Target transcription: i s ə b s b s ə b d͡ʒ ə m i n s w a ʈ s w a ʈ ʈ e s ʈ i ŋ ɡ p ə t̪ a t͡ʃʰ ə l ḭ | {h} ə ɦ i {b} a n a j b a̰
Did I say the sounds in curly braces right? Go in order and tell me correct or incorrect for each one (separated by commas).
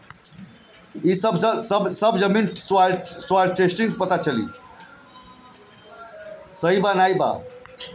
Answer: incorrect, correct